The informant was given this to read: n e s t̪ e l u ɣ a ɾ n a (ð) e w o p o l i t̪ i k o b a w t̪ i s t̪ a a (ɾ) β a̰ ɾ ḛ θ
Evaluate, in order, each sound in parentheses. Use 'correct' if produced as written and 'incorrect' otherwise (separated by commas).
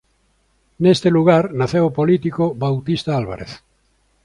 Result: incorrect, incorrect